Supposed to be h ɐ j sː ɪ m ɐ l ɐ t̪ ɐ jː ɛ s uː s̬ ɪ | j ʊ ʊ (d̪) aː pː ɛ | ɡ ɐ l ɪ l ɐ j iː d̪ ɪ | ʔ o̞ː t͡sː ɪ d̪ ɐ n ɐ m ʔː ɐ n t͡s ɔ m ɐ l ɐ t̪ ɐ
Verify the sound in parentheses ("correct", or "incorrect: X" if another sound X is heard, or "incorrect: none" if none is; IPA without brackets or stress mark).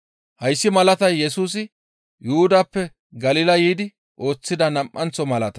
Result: correct